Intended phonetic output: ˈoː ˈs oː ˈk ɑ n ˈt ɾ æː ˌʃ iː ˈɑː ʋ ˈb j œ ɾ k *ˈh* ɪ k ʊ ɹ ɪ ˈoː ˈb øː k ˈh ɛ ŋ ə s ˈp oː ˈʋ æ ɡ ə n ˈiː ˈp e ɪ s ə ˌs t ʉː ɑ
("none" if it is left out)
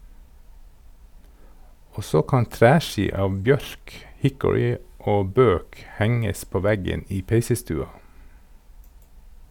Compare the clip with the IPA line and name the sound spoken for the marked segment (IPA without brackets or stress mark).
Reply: h